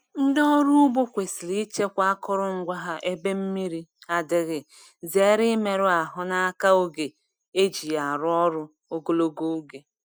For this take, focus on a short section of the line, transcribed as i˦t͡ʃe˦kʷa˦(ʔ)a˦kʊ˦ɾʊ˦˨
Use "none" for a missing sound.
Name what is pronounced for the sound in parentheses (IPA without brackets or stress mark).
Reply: none